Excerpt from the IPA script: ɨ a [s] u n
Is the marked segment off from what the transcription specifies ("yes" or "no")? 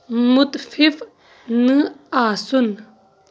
no